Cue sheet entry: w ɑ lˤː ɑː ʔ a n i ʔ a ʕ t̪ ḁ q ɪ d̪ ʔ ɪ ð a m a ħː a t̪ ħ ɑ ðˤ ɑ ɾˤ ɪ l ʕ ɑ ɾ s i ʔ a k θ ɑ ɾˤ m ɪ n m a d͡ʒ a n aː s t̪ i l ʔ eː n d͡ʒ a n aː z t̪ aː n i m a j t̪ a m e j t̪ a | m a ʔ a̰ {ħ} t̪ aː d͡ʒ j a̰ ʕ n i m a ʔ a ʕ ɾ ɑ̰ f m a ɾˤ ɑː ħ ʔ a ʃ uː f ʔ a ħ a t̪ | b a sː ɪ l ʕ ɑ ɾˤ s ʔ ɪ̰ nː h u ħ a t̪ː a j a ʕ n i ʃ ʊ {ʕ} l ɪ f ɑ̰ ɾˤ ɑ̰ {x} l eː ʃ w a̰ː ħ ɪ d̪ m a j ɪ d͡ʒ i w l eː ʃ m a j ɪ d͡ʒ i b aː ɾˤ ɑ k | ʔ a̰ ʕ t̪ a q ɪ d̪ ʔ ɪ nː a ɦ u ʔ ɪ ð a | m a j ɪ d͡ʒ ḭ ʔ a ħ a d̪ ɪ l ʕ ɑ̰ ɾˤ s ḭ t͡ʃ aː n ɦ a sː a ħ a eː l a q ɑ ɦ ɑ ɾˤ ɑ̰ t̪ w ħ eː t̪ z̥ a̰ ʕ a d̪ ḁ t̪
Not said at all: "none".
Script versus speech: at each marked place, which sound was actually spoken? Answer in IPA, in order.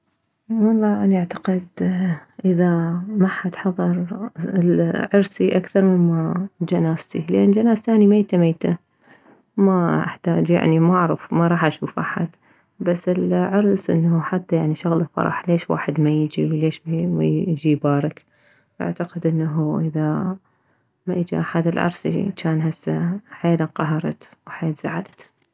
ħ, ɣ, ħ

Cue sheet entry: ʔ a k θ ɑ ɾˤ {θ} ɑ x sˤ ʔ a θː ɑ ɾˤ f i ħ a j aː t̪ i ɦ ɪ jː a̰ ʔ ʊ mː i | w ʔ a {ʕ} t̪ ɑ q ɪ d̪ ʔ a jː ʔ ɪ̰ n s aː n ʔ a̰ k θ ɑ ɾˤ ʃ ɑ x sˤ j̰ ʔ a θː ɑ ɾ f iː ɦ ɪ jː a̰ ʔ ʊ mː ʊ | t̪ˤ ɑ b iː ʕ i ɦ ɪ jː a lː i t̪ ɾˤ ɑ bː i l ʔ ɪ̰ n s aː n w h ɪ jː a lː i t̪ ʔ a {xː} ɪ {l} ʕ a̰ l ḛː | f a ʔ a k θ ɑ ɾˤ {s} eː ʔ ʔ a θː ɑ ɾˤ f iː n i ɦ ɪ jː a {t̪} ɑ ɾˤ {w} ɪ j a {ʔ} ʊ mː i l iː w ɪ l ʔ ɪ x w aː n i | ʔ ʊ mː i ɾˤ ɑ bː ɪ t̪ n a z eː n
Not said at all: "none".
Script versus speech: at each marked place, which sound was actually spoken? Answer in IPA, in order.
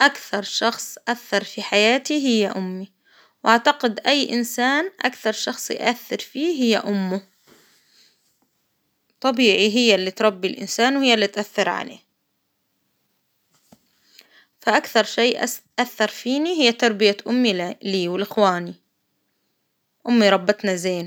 ʃ, ʕ, θː, ɾ, ʃ, t̪, b, ʔ

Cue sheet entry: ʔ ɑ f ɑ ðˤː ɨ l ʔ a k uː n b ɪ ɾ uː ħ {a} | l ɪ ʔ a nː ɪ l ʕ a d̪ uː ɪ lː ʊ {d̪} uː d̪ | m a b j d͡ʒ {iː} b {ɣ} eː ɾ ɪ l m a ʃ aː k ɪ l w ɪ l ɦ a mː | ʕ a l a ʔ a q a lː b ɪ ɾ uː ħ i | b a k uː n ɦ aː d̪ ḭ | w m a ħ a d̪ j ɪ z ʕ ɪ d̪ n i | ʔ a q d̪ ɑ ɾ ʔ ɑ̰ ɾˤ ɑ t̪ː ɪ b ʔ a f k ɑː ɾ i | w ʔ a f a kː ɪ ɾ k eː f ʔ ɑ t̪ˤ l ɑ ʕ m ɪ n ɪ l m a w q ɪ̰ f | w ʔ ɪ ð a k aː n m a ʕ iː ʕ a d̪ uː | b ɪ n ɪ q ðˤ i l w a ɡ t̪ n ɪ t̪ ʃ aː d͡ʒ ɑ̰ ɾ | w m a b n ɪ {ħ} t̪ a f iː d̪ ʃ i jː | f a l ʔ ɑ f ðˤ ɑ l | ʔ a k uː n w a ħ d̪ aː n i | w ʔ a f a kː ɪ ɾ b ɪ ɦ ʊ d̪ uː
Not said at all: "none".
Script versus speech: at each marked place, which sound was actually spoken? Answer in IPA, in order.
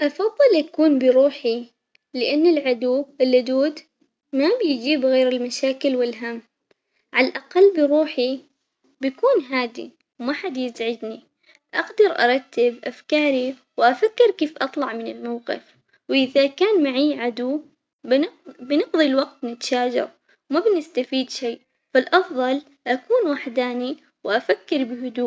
i, d̪, iː, ɣ, s

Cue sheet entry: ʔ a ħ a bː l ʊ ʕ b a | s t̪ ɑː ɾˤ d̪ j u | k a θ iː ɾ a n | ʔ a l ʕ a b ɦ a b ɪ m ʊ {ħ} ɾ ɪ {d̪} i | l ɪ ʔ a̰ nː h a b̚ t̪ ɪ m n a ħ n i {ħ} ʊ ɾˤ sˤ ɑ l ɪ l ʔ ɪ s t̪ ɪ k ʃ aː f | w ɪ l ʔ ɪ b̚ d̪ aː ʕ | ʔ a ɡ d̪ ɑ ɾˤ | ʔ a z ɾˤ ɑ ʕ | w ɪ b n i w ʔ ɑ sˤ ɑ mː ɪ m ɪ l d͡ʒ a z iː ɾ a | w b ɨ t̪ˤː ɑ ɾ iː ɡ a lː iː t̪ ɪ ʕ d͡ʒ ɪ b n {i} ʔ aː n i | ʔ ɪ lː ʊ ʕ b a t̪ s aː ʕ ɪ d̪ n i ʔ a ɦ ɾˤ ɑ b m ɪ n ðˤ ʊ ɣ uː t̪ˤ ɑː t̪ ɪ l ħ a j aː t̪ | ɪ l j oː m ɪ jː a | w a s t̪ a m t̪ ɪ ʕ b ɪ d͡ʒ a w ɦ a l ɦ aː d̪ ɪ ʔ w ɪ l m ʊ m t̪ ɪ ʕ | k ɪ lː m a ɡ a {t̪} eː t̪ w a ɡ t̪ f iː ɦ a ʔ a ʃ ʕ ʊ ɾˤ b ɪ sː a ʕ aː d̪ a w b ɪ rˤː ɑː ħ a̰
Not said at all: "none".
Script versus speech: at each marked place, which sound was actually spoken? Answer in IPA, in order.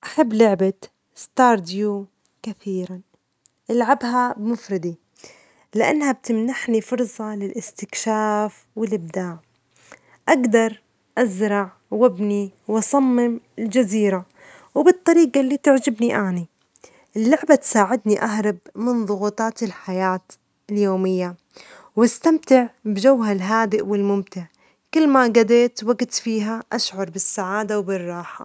f, d̪, f, i, d̪

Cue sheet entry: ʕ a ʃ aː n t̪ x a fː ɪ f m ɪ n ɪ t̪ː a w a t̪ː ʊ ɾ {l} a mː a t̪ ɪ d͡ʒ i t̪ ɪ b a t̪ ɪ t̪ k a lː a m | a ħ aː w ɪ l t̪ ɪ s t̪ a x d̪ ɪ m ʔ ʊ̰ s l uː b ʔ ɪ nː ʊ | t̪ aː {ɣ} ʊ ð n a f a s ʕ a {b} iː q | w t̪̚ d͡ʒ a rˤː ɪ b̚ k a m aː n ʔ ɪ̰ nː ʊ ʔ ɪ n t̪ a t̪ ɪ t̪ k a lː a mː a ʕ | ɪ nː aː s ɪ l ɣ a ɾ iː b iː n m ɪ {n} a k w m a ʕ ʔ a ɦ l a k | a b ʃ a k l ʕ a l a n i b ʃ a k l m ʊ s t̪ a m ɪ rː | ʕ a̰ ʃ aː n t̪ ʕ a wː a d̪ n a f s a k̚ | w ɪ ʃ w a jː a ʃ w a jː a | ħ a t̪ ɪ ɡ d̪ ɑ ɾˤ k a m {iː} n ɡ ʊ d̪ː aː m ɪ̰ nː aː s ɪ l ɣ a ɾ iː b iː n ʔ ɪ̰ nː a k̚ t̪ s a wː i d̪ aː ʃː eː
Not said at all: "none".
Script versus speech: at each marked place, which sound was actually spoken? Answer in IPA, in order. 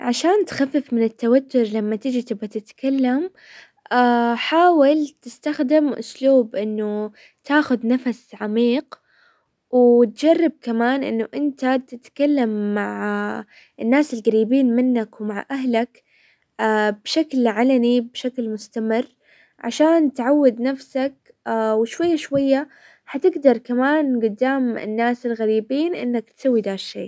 l, x, m, nː, aː

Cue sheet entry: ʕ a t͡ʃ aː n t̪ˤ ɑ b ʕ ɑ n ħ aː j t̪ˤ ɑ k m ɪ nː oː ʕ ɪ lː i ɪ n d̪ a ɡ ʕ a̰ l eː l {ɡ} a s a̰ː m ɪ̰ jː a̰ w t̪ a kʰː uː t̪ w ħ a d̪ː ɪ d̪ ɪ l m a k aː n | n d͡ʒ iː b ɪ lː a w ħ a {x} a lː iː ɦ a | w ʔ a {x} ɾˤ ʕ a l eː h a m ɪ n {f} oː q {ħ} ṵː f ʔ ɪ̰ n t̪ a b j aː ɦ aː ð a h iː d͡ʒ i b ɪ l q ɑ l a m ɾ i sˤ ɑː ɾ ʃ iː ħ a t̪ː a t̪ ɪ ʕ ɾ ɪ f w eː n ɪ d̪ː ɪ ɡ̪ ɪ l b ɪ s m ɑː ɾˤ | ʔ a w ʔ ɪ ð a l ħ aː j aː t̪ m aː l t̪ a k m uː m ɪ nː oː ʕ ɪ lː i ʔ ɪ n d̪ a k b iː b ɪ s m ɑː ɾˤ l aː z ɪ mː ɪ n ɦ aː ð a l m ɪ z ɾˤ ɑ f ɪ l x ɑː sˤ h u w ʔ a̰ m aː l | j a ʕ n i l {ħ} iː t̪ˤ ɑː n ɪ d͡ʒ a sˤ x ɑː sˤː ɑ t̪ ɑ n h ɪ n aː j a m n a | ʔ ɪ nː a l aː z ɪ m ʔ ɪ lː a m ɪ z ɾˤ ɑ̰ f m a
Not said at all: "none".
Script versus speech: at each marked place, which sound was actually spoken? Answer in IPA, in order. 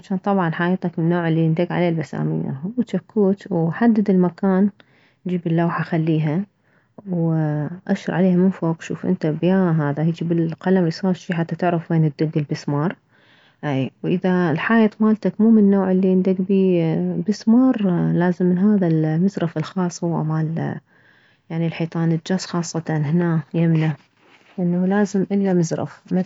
b, x, ʃ, f, ʃ, ħ

